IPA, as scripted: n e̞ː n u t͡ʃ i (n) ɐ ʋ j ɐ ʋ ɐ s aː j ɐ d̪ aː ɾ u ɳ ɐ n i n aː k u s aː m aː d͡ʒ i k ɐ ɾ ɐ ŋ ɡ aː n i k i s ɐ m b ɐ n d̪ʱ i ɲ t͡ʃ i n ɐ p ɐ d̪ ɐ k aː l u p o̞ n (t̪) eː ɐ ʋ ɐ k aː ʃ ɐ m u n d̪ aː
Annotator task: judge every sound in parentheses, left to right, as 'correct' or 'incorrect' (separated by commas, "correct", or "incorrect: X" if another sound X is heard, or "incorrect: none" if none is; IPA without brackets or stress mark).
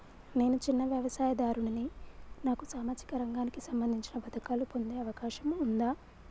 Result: incorrect: nː, incorrect: d̪